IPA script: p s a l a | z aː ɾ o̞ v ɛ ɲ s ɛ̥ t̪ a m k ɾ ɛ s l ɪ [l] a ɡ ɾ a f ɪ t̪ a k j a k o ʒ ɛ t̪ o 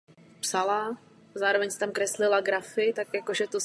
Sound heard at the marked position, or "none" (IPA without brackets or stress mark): l